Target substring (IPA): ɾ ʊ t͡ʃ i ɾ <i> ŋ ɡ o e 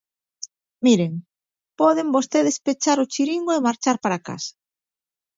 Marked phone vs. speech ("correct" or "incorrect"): correct